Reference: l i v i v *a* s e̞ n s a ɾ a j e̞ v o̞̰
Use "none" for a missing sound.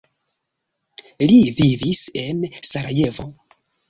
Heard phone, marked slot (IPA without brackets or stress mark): i